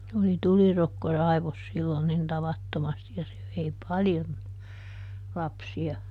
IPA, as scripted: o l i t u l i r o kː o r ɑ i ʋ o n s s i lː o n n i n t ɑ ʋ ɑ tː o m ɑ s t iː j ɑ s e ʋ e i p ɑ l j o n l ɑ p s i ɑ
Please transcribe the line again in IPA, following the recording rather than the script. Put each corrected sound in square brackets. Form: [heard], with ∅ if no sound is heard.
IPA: o l i t u l i r o kː o r ɑ i ʋ o [∅] s s i lː o n n i n t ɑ ʋ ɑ tː o m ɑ s t [i] j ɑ s e ʋ e i p ɑ l j o n l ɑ p s i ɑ